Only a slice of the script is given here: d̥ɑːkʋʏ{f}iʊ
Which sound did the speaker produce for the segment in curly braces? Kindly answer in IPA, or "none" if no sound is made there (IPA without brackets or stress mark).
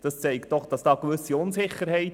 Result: s